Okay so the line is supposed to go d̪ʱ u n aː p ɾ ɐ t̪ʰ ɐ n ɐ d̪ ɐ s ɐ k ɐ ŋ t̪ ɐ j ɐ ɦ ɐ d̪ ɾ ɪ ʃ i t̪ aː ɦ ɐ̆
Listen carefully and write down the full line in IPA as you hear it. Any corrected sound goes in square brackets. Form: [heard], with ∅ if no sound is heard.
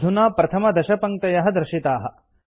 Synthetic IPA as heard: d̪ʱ u n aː p ɾ ɐ t̪ʰ ɐ [m] ɐ d̪ ɐ [ʃ] ɐ [p] ɐ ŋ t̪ ɐ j ɐ ɦ ɐ d̪ ɾ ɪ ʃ i t̪ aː ɦ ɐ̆